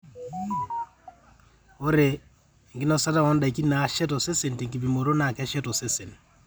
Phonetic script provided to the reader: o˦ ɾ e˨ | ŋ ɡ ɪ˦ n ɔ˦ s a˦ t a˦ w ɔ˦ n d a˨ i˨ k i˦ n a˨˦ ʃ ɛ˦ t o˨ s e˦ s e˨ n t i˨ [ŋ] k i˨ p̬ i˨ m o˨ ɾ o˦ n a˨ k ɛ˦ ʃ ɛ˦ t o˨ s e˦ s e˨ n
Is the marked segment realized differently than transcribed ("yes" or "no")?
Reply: no